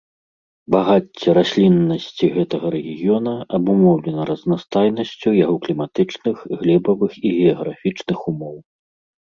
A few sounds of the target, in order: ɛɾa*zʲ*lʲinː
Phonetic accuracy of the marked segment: incorrect: sʲ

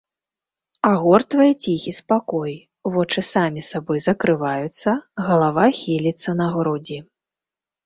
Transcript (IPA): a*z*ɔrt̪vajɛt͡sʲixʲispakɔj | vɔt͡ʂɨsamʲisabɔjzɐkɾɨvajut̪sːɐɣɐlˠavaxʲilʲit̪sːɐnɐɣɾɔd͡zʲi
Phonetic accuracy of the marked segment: incorrect: ɣ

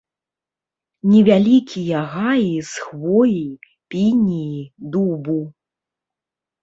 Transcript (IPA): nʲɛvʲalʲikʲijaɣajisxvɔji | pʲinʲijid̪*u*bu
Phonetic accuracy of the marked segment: correct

